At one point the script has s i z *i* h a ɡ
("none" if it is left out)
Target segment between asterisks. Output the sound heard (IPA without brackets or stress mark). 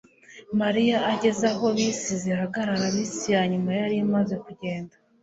i